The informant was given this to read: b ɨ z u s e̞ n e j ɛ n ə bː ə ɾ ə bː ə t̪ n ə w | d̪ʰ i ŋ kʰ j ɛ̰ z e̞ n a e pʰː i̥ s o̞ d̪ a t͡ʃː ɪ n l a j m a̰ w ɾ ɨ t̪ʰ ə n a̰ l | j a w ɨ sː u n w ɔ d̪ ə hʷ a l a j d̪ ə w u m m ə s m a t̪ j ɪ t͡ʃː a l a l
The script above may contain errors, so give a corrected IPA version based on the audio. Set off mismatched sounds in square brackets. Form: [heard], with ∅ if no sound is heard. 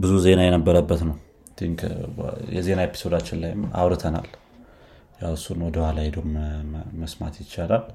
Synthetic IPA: b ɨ z u [z] e̞ n [a] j ɛ n ə bː ə ɾ ə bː ə t̪ n ə w | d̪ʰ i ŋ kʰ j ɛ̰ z e̞ n a e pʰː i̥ s o̞ d̪ a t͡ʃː ɪ n l a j m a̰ w ɾ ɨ t̪ʰ ə n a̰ l | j a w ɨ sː u n w ɔ d̪ ə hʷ a l a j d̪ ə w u m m ə s m a t̪ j ɪ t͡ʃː a l a l